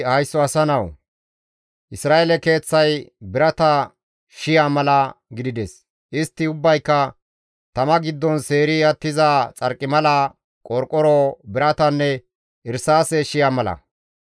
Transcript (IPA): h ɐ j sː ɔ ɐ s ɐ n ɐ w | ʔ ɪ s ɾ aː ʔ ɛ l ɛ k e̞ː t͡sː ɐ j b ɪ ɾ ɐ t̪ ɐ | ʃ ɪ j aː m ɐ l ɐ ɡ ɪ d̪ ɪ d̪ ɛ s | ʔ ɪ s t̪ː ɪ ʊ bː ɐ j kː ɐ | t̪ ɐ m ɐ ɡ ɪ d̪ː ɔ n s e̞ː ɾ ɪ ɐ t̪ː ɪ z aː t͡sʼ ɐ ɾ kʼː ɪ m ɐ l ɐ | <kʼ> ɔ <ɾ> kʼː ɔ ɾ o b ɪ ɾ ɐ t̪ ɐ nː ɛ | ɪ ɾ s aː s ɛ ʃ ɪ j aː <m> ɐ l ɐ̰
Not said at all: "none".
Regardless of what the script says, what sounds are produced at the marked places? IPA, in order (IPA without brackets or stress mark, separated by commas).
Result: kʼ, ɾ, m